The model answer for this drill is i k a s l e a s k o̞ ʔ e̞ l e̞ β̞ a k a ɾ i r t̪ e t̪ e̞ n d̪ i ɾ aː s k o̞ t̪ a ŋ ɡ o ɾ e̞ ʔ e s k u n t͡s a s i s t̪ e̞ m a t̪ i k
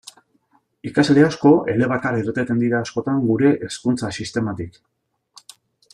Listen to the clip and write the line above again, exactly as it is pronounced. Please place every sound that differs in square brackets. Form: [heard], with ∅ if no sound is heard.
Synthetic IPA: i k a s l e a s k o̞ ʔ e̞ l e̞ β̞ a k a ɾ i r t̪ e t̪ e̞ n d̪ i ɾ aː s k o̞ t̪ a ŋ ɡ [u] ɾ e̞ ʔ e s k u n t͡s a s i s t̪ e̞ m a t̪ i k